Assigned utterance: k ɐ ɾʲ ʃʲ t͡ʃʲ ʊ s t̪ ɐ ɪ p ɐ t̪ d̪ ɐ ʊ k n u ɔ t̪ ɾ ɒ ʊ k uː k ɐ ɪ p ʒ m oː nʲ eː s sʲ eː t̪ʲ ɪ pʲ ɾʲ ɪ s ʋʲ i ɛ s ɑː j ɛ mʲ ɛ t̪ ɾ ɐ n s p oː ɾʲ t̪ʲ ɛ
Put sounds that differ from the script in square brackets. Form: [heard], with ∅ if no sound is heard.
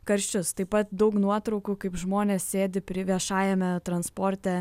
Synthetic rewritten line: k ɐ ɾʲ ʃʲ t͡ʃʲ ʊ s t̪ ɐ ɪ p ɐ t̪ d̪ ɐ ʊ k n u ɔ t̪ ɾ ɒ ʊ k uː k ɐ ɪ p ʒ m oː nʲ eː s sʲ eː [d̪ʲ] ɪ pʲ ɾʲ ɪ [∅] ʋʲ i ɛ [ʃ] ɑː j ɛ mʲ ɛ t̪ ɾ ɐ n s p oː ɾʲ t̪ʲ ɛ